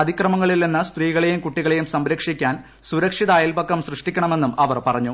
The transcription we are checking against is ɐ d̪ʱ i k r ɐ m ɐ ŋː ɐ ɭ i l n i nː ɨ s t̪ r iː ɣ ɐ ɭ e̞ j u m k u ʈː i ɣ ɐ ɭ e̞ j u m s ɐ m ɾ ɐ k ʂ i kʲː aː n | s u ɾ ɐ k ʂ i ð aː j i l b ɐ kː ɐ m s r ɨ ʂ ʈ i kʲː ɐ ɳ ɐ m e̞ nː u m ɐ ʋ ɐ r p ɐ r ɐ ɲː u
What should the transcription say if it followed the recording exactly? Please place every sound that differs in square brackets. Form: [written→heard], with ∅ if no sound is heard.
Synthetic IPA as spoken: ɐ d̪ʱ i k r ɐ m ɐ ŋː ɐ ɭ i l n i nː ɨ s t̪ r iː ɣ ɐ ɭ e̞ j u m k u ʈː i ɣ ɐ ɭ e̞ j u m s ɐ m ɾ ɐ k ʂ i kʲː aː n | s u ɾ ɐ k ʂ i ð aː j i l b ɐ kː ɐ m s r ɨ ʂ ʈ i kʲː ɐ ɳ ɐ m e̞ nː u m ɐ ʋ ɐ r p ɐ r ɐ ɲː u